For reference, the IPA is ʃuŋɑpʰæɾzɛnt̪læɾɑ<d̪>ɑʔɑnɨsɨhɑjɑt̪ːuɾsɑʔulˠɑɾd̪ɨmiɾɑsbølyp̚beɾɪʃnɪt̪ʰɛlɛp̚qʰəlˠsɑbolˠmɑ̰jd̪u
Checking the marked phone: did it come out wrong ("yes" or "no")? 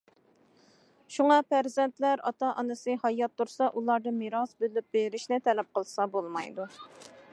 yes